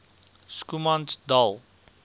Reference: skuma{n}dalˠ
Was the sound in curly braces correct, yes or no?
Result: yes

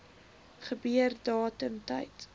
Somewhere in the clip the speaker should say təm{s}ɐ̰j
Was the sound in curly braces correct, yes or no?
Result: no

